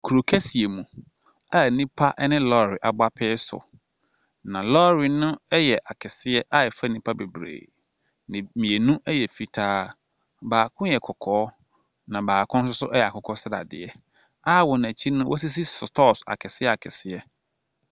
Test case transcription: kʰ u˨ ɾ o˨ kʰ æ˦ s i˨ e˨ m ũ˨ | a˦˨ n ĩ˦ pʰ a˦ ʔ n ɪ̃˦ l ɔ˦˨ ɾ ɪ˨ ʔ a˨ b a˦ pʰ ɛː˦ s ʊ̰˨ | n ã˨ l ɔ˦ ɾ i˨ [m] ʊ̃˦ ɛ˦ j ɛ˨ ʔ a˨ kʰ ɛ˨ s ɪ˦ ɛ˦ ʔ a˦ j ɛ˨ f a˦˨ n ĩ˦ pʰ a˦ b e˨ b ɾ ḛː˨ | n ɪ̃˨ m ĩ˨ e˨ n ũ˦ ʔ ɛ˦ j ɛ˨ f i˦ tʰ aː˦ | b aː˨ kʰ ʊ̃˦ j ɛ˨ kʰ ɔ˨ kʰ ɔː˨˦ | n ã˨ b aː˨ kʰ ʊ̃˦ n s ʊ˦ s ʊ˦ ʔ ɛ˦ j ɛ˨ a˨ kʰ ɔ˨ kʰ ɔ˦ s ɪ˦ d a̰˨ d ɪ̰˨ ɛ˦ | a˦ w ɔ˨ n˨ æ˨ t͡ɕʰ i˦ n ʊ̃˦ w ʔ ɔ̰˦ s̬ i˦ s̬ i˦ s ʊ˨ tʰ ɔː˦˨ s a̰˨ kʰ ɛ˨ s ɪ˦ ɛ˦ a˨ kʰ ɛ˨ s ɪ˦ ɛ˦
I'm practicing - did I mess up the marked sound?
yes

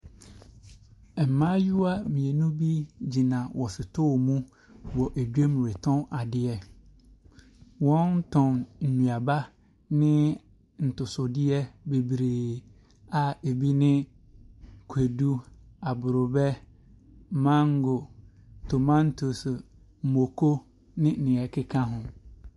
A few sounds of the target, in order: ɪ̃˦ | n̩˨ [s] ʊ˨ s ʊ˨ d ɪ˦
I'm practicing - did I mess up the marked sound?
yes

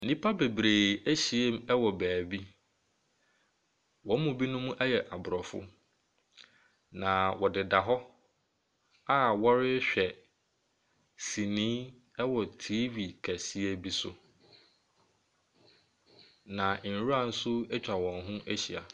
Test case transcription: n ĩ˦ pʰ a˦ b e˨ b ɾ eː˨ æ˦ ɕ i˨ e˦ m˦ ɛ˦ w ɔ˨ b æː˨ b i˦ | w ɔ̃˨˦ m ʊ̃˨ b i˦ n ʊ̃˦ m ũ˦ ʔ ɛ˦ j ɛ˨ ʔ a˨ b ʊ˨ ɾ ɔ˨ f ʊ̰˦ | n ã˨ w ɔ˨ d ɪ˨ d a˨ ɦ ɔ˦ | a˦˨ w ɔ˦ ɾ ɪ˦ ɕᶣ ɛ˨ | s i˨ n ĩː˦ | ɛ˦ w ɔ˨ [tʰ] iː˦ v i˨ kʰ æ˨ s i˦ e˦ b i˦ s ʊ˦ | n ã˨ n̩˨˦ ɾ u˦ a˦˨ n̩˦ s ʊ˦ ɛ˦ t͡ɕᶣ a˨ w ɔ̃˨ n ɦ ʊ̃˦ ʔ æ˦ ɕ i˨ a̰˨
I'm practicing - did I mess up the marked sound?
no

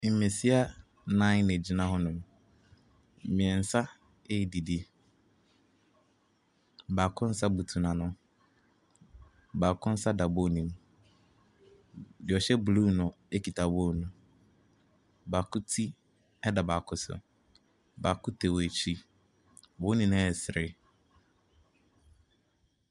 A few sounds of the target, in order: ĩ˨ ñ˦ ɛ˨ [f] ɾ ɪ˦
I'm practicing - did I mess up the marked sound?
yes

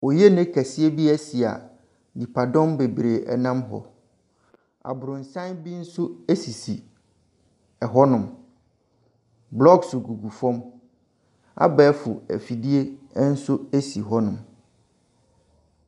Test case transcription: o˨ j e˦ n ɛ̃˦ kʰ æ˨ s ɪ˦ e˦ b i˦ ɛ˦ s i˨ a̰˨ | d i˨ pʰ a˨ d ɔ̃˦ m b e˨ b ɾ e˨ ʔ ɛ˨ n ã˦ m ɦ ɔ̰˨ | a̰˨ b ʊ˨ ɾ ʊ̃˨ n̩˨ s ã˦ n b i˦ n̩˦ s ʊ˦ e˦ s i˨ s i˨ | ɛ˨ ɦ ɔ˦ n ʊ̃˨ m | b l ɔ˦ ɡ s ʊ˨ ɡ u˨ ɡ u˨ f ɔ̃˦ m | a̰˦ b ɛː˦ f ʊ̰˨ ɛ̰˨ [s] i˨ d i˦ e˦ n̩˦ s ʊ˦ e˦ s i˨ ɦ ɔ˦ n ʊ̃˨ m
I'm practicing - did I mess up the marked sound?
yes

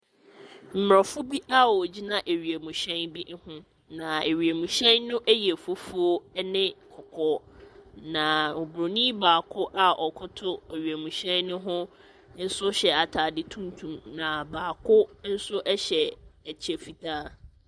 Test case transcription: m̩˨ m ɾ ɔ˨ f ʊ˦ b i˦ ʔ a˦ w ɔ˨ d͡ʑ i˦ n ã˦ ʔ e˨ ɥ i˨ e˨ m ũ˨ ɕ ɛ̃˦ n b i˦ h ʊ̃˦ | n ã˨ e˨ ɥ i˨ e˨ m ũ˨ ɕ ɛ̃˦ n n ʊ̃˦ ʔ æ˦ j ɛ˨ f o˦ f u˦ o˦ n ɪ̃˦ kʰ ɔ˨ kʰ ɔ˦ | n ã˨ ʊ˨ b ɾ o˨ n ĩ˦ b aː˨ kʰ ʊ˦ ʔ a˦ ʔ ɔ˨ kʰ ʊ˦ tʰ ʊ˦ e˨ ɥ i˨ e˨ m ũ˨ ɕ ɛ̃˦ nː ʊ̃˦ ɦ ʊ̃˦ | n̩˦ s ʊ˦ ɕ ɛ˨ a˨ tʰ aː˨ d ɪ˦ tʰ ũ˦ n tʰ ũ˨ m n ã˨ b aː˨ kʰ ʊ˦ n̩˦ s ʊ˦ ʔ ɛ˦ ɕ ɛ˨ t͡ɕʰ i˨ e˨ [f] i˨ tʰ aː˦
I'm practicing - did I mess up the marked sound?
no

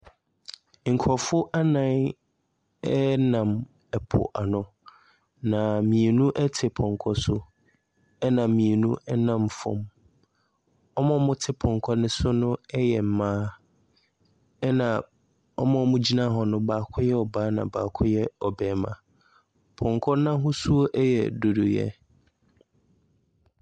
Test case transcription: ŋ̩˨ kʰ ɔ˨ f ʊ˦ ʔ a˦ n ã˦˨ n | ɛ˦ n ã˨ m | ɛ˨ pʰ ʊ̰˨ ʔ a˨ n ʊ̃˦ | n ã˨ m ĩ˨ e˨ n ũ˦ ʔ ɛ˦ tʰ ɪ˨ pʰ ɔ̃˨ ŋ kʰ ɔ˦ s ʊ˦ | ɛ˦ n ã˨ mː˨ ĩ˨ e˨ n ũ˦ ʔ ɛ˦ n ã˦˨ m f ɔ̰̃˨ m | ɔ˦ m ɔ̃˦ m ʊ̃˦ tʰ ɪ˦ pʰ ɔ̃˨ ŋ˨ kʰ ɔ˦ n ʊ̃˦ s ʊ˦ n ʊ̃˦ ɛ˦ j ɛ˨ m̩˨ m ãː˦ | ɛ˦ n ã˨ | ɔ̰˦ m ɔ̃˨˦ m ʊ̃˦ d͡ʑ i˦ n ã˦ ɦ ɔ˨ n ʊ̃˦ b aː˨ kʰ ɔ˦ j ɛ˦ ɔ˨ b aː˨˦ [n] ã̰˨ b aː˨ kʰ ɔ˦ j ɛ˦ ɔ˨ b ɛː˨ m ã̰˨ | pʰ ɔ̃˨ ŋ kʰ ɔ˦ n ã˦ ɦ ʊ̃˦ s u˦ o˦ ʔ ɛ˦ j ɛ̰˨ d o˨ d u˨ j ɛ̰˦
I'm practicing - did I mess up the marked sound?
no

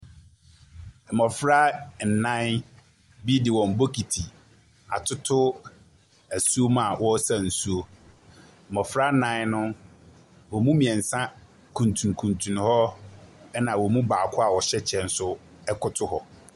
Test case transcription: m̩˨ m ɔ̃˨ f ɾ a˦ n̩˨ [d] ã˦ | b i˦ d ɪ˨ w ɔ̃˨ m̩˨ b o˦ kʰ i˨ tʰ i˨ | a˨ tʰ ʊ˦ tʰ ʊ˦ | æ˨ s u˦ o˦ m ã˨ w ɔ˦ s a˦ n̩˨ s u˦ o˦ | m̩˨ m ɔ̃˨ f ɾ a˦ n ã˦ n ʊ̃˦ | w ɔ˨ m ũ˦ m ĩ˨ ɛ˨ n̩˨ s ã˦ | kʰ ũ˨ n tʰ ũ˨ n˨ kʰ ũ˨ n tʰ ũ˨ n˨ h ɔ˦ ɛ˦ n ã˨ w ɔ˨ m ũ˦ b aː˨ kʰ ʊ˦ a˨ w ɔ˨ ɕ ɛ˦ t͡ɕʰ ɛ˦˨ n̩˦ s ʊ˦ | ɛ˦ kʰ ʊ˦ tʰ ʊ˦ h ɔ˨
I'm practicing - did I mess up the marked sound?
yes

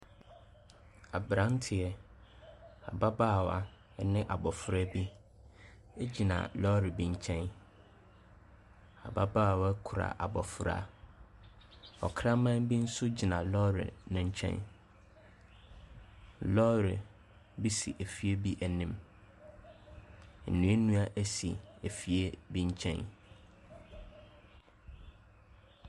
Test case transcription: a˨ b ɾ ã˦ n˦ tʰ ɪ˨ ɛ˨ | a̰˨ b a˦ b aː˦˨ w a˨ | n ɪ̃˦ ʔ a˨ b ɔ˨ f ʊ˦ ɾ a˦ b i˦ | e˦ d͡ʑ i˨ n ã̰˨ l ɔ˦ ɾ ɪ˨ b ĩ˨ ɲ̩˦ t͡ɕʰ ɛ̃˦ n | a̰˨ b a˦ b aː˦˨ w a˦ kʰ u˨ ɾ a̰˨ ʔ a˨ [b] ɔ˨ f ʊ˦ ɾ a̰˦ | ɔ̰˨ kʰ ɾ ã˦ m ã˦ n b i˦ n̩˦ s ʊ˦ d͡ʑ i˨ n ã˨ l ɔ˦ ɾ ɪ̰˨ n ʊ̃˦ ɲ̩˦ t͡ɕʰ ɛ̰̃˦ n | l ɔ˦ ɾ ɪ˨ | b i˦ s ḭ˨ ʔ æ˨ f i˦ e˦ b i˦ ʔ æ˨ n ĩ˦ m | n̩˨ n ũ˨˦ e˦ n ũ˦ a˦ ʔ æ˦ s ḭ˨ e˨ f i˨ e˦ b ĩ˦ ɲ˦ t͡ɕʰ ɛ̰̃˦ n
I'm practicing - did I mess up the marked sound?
no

